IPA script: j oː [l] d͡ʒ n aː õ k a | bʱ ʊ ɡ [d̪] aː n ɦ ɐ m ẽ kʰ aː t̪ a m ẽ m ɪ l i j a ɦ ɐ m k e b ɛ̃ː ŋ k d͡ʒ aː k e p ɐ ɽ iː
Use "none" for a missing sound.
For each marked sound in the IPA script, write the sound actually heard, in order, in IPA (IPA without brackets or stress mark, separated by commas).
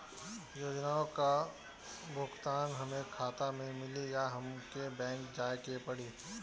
none, t̪